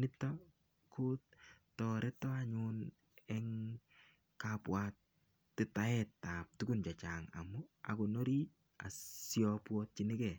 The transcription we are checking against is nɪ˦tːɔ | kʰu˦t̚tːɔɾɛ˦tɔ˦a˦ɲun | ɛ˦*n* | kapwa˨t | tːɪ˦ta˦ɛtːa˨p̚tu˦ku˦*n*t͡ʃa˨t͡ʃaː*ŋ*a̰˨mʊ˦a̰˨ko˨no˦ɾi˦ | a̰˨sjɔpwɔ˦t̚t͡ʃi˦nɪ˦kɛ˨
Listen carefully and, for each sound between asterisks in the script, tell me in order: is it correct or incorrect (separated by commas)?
incorrect, correct, correct